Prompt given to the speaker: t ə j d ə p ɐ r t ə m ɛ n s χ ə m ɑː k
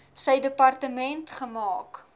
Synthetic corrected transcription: s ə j d ə p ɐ r t ə m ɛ n t χ ə m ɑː k

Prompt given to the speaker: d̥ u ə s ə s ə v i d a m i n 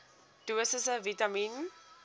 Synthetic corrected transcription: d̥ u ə s ə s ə v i t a m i n

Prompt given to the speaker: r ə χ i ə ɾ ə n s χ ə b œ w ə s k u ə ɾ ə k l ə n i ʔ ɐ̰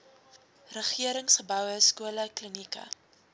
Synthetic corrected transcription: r ə χ i ə ɾ ə ŋ s χ ə b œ w ə s k u ə l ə k l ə n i k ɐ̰

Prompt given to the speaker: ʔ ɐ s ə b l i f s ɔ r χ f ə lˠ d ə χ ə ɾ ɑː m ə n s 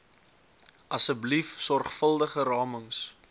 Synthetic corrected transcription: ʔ ɐ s ə b l i f s ɔ r χ f ə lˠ d ə χ ə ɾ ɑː m ə ŋ s

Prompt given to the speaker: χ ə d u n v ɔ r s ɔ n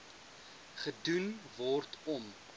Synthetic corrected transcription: χ ə d u n v ɔ r t ɔ m

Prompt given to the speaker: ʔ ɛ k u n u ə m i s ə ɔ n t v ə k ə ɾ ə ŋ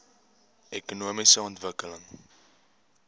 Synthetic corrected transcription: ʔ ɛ k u n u ə m i s ə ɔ n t v ə k ə l ə ŋ

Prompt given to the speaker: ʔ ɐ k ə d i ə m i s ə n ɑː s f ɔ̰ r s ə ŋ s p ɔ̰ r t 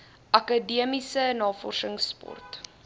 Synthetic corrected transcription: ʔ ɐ k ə d i ə m i s ə n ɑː f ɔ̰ r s ə ŋ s p ɔ̰ r t

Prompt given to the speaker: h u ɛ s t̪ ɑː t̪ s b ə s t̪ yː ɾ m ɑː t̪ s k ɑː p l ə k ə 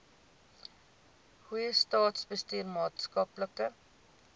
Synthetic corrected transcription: h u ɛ s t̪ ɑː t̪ s b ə s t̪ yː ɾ m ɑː t̪ s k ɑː p l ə k ə

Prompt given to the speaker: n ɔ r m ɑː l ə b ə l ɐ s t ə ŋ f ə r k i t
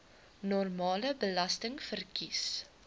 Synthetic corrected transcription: n ɔ r m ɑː l ə b ə l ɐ s t ə ŋ f ə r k i s

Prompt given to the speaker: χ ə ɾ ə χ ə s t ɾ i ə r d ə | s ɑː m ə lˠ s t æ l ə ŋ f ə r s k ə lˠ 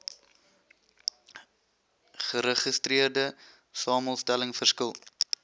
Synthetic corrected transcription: χ ə ɾ ə χ ə s t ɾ i ə r d ə | s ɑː m ə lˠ s t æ l ə ŋ f ə r s k ə lˠ

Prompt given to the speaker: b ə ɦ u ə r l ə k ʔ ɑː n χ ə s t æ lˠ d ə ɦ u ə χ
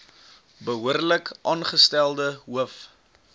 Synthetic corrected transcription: b ə ɦ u ə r l ə k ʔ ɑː n χ ə s t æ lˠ d ə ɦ u ə f

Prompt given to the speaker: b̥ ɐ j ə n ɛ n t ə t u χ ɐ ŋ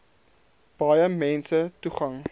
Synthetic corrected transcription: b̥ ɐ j ə m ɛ n s ə t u χ ɐ ŋ

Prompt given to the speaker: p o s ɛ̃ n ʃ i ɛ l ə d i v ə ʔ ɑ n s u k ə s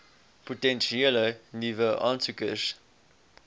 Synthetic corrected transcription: p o t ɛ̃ n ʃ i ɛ l ə n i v ə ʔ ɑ n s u k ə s

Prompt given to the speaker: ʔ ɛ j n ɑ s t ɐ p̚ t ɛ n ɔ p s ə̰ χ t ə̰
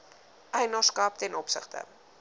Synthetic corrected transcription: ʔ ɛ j n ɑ s k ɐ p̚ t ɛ n ɔ p s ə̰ χ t ə̰

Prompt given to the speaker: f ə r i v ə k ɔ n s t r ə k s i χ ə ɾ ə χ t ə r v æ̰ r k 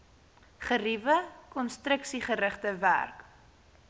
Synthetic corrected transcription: χ ə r i v ə k ɔ n s t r ə k s i χ ə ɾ ə χ t ə v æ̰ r k

